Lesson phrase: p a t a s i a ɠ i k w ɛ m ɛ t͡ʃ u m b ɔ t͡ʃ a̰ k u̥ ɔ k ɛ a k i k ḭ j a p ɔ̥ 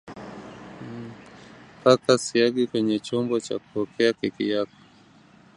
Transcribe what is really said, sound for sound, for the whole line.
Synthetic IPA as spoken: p a k a s i a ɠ i k w ɛ ɲ ɛ t͡ʃ ɔ m b ɔ t͡ʃ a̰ k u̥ ɔ k ɛ a k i k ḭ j a k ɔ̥

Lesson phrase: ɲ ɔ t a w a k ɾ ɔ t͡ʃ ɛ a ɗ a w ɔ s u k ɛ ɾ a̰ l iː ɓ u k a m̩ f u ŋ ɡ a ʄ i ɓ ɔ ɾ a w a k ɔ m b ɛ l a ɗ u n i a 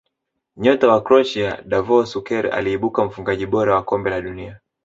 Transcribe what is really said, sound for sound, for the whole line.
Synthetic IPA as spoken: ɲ ɔ t a w a k ɾ ɔ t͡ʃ i a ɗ a v ɔ s u k ɛ ɾ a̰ l iː ɓ u k a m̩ f u ŋ ɡ a ʄ i ɓ ɔ ɾ a w a k ɔ m b ɛ l a ɗ u n i a

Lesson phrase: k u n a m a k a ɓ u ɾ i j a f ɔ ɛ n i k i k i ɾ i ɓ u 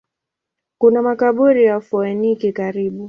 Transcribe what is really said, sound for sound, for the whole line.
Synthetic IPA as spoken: k u n a m a k a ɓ u ɾ i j a f ɔ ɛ n i k i k a ɾ i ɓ u

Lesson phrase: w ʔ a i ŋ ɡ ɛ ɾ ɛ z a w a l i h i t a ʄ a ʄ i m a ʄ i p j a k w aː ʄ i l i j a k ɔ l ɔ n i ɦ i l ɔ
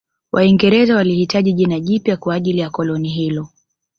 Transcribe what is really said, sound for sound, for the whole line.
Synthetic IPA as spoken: w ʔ a i ŋ ɡ ɛ ɾ ɛ z a w a l i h i t a ʄ i ʄ i n a ʄ i p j a k w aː ʄ i l i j a k ɔ l ɔ n i ɦ i l ɔ

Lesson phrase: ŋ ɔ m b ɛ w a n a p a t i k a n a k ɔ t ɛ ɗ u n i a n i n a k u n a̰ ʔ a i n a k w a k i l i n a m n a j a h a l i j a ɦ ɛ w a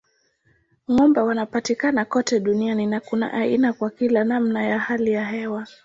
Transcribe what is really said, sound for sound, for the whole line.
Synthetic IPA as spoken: ŋ ɔ m b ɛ w a n a p a t i k a n a k ɔ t ɛ ɗ u n i a n i n a k u n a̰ ʔ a i n a k w a k i l a n a m n a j a h a l i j a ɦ ɛ w a

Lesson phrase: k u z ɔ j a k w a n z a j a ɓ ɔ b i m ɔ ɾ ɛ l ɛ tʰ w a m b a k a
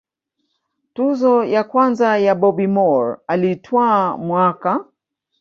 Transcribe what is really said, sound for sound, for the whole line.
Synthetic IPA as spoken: t u z ɔ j a k w a n z a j a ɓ ɔ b i m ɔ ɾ a l i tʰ w a m w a k a

